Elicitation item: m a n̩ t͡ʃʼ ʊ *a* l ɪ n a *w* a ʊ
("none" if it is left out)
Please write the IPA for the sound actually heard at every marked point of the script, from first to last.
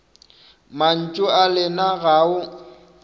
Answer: a, ɣ

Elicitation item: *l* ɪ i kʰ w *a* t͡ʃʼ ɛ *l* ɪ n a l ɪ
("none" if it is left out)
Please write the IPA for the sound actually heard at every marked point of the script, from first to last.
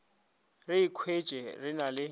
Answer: r, e, r

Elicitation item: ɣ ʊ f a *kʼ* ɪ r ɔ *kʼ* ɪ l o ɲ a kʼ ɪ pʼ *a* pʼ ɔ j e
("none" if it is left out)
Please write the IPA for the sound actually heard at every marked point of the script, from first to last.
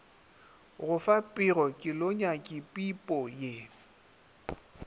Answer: pʼ, kʼ, i

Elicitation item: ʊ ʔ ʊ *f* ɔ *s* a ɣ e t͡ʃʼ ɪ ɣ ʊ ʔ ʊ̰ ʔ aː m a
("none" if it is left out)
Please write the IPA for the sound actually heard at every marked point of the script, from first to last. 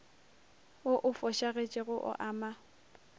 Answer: f, ʃ

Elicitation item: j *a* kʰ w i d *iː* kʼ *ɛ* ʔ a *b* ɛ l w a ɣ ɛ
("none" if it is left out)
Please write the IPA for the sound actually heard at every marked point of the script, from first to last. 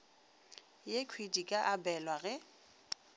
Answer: e, i, a, b

